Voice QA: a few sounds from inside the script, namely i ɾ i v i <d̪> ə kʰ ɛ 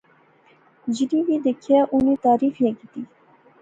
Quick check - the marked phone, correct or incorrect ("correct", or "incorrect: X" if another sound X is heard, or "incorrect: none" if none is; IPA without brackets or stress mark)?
correct